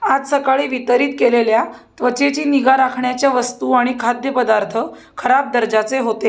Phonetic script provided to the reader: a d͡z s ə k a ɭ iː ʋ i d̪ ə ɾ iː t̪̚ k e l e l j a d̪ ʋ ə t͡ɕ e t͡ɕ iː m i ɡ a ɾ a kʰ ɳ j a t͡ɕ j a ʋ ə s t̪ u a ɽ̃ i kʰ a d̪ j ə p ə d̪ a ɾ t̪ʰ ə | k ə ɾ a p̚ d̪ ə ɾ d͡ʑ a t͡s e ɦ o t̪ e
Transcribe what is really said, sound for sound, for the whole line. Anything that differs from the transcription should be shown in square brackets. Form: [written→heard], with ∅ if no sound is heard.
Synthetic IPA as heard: a d͡z s ə k a ɭ iː ʋ i [d̪→t̪] ə ɾ iː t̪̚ k e l e l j a [d̪→t̪] ʋ ə t͡ɕ e t͡ɕ iː [m→n] i ɡ a ɾ a kʰ ɳ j a t͡ɕ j a ʋ ə s t̪ u a ɽ̃ i kʰ a d̪ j ə p ə d̪ a ɾ t̪ʰ ə | [k→kʰ] ə ɾ a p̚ d̪ ə ɾ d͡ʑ a t͡s e ɦ o t̪ e